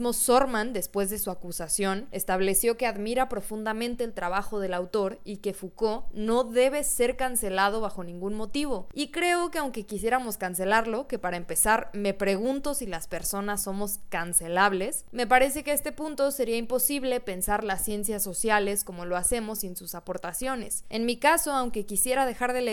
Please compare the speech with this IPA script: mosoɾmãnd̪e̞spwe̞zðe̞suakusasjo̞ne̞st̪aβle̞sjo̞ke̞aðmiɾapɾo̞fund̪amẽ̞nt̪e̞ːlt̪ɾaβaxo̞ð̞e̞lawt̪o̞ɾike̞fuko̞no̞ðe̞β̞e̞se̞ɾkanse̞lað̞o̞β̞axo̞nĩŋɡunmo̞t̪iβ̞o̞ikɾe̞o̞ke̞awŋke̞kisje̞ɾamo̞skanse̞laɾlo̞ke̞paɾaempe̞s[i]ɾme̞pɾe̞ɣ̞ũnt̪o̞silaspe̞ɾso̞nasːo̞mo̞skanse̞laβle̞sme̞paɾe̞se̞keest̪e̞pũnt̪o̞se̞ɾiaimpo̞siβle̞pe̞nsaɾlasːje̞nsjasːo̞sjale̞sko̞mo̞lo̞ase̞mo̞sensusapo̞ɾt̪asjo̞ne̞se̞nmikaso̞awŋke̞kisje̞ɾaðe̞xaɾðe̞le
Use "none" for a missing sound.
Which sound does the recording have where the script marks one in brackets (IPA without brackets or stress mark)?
a